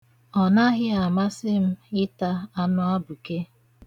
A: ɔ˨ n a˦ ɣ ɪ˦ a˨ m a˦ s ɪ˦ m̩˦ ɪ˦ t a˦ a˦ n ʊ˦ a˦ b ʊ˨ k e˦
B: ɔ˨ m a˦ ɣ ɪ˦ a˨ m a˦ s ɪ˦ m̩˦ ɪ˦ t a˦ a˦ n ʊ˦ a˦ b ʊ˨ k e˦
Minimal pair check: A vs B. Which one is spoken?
A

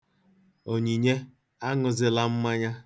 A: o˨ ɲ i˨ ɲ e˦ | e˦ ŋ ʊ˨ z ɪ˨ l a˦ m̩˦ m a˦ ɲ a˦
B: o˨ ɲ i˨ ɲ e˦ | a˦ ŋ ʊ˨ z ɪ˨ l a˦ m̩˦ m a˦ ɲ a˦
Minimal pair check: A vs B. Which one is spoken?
B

